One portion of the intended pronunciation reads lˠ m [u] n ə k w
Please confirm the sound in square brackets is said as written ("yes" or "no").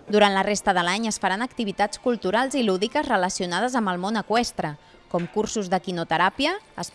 no